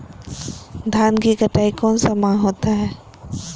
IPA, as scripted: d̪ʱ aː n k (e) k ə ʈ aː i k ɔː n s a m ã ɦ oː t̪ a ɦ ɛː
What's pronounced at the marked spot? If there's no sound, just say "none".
i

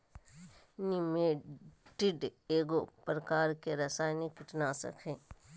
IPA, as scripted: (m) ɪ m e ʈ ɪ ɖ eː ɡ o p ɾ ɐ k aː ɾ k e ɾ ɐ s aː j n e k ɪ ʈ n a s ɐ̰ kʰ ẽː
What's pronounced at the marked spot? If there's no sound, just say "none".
n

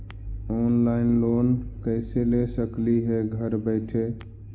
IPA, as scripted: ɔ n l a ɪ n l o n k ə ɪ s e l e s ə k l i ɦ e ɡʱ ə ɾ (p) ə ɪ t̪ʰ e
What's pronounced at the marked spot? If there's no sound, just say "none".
b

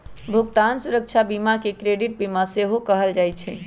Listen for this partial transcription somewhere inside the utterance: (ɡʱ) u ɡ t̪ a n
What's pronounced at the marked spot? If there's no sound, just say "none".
bʱ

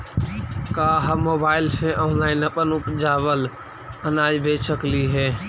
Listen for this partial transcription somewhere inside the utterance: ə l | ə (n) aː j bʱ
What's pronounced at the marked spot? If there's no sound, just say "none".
n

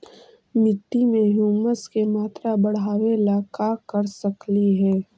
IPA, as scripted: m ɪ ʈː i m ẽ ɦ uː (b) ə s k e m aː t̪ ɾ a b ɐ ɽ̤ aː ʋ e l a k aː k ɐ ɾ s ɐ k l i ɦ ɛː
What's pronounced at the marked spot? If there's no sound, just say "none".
m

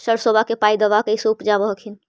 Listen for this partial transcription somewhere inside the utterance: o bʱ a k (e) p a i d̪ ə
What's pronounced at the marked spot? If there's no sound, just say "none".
e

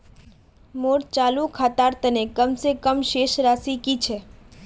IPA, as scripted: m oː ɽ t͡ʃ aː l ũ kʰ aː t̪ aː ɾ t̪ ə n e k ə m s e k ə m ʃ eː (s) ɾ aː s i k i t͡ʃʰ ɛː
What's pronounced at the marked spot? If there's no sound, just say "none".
ʃ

